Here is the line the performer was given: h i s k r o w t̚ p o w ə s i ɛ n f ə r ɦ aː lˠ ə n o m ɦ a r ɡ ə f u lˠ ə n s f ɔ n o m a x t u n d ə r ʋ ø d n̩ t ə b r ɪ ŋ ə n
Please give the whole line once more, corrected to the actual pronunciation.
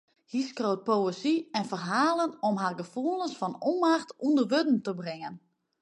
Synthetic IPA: h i s k r o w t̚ p o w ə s i ɛ n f ə r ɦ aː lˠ ə n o m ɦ a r ɡ ə f u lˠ ə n s f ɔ n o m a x t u n d ə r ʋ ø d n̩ t ə b r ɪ ŋ ə n